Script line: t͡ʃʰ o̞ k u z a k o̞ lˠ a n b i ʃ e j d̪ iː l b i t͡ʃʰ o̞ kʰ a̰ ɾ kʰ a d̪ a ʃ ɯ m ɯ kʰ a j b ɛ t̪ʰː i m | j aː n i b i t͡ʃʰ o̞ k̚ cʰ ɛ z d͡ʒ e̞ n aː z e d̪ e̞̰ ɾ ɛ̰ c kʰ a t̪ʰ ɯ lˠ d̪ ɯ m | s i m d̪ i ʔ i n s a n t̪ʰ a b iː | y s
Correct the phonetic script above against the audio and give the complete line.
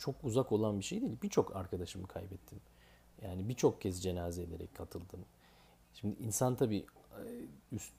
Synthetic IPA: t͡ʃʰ o̞ k u z a k o̞ lˠ a n b i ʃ e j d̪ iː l b i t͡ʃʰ o̞ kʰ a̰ ɾ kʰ a d̪ a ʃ ɯ m ɯ kʰ a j b ɛ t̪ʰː i m | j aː n i b i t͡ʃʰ o̞ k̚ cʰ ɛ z d͡ʒ e̞ n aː z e d̪ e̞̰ ɾ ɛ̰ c kʰ a t̪ʰ ɯ lˠ d̪ ɯ m | ʃ i m d̪ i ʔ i n s a n t̪ʰ a b iː | y s